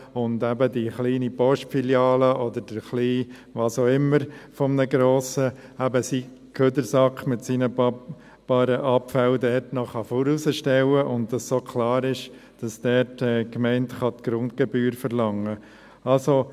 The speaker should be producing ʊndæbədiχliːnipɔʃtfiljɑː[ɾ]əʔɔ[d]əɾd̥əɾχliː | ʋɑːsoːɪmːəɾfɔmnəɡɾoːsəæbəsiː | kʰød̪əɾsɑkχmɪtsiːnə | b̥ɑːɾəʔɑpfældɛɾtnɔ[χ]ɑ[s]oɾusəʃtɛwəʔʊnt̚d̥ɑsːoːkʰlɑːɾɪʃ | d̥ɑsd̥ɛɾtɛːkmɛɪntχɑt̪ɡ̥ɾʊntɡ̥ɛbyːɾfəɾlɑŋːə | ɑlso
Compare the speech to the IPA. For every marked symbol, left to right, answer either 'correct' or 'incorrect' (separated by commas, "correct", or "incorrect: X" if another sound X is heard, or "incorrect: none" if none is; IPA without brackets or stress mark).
incorrect: l, correct, correct, incorrect: f